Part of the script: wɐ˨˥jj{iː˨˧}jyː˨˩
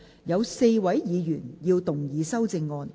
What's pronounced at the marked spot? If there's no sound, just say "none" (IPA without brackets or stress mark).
iː˨˧